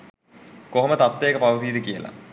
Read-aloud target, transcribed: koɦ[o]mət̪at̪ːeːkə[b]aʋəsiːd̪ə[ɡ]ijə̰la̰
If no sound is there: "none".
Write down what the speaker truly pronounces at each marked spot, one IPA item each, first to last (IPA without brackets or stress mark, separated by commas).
o, p, k